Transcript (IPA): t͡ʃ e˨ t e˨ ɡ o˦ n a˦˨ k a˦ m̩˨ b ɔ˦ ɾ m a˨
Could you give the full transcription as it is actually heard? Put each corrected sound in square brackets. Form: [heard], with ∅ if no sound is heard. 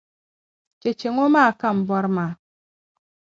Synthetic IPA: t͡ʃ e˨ [t͡ʃ] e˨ [ŋ] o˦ [m] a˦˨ k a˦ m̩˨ b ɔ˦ ɾ m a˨